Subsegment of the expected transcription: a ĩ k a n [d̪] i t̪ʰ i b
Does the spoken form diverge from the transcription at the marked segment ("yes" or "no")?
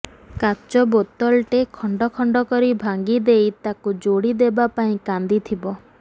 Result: no